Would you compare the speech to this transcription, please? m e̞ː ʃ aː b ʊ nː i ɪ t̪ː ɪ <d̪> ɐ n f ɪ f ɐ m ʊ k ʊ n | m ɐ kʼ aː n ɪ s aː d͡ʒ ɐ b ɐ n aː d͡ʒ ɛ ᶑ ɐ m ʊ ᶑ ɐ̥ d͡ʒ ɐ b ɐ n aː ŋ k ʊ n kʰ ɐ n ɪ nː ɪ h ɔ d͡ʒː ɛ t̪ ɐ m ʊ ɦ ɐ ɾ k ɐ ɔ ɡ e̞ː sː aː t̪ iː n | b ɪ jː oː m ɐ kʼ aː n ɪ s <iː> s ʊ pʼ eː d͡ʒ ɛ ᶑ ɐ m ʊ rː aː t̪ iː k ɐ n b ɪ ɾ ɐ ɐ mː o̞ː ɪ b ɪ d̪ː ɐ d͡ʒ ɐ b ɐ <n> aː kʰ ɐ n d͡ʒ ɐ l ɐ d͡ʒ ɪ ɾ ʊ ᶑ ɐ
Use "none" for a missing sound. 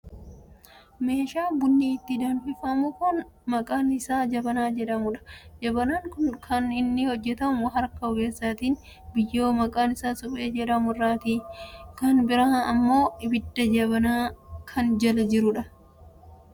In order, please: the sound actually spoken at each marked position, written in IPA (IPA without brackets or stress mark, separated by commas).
d̪, aː, n